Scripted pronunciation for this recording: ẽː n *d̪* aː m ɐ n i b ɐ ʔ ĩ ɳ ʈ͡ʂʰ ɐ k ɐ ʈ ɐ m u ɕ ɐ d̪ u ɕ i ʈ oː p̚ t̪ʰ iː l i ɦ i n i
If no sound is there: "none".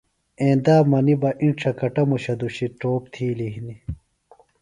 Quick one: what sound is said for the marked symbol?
d̪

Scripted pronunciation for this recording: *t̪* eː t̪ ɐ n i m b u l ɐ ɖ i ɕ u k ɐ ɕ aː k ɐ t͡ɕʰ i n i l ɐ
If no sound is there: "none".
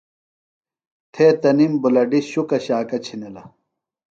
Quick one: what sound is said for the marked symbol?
t̪ʰ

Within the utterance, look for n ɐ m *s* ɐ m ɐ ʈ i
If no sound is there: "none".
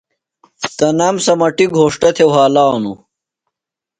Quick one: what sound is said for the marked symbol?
s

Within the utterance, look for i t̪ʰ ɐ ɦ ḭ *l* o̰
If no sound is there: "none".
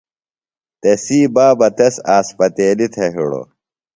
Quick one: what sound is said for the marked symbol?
ɽ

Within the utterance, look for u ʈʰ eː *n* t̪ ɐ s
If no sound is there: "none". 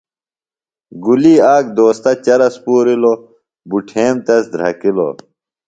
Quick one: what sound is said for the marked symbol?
m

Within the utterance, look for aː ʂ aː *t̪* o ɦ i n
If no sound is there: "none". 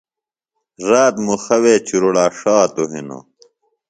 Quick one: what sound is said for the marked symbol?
t̪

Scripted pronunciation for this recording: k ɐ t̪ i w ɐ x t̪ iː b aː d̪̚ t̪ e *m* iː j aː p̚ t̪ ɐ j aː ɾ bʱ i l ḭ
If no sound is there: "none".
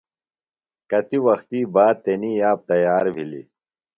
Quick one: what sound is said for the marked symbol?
n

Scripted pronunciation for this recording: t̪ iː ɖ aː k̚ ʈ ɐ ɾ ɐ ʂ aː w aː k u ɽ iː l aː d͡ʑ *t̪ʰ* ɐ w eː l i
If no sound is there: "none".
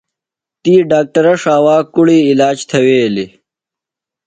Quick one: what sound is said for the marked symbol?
t̪ʰ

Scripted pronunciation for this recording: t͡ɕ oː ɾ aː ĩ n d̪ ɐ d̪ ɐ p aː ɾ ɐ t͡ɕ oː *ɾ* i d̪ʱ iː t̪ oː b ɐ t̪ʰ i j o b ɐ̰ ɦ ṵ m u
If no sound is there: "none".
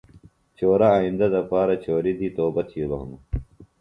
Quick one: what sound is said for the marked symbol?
ɾ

